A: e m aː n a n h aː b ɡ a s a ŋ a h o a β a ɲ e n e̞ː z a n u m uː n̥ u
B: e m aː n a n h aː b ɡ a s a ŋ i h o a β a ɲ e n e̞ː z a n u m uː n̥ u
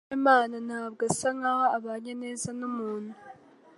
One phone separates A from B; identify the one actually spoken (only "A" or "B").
A